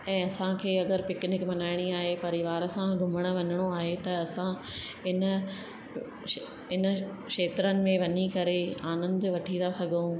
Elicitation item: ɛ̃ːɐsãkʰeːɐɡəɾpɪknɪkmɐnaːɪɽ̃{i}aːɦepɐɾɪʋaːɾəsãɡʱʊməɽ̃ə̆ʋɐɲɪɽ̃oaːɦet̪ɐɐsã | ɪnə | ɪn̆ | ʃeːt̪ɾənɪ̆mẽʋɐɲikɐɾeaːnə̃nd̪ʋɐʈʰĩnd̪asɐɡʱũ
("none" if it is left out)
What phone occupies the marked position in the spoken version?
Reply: i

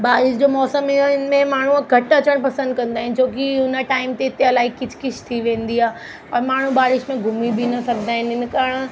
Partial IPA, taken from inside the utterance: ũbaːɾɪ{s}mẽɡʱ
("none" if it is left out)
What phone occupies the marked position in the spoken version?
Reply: ʃ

